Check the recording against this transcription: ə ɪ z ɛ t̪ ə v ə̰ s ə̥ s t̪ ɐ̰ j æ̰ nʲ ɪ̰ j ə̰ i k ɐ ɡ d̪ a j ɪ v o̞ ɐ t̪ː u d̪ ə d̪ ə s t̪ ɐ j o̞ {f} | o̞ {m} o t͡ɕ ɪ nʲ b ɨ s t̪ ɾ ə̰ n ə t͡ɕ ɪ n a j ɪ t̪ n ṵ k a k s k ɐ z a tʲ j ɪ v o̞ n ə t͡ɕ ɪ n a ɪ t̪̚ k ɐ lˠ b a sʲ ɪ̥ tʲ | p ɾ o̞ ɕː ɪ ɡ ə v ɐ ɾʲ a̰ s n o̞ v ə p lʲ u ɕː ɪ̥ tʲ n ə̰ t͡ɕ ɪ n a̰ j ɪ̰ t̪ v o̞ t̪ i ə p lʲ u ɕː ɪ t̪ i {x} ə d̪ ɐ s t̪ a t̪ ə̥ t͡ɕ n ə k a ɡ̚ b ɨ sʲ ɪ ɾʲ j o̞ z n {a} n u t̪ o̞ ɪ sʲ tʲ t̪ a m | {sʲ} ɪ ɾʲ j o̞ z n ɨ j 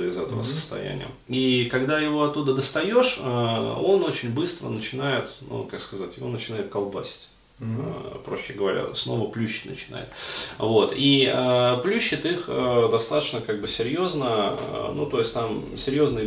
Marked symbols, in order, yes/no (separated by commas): no, no, yes, no, yes